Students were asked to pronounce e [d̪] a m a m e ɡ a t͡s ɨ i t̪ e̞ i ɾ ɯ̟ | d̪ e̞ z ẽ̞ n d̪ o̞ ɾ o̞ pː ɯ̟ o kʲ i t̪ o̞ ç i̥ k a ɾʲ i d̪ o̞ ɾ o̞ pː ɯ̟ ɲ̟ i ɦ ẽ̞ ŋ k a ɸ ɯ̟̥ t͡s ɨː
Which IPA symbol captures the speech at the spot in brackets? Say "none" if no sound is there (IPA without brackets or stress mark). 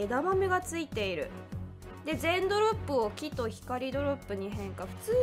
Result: d̪